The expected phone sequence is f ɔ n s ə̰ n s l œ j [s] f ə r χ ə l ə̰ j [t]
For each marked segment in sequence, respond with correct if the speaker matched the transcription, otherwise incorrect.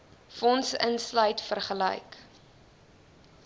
incorrect: t, incorrect: k

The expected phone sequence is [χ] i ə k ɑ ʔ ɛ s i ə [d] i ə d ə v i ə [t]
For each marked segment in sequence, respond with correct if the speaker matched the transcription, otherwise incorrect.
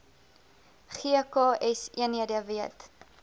correct, incorrect: n, correct

